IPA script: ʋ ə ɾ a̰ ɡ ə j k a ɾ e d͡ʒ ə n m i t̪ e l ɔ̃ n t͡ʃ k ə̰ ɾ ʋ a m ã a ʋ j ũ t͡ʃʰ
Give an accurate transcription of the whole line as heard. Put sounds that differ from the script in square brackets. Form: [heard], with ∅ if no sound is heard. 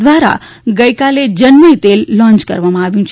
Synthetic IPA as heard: ʋ [a] ɾ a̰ ɡ ə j k a [l] e d͡ʒ ə n m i t̪ e [lː] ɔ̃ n t͡ʃ k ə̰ ɾ ʋ a m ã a ʋ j ũ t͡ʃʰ